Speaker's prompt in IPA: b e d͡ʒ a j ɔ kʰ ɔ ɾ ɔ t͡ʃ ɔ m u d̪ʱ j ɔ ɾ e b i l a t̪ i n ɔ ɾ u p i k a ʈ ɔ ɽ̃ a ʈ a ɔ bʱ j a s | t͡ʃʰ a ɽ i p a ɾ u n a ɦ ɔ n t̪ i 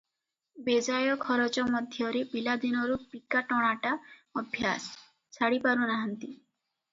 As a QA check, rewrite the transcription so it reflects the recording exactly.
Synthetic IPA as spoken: b e d͡ʒ a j ɔ kʰ ɔ ɾ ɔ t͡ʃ ɔ m ɔ d̪ʱ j ɔ ɾ e b i l a d̪ i n ɔ ɾ u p i k a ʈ ɔ ɽ̃ a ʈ a ɔ bʱ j a s | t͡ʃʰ a ɽ i p a ɾ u n a ɦ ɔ n t̪ i